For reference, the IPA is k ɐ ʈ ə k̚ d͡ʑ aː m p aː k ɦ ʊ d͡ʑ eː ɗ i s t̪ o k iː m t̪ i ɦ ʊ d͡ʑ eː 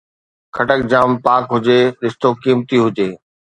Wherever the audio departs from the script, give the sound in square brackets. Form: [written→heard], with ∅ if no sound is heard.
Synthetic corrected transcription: [k→kʰ] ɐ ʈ ə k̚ d͡ʑ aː m p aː k ɦ ʊ d͡ʑ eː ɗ [i→ɪ] s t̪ o k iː m t̪ i ɦ ʊ d͡ʑ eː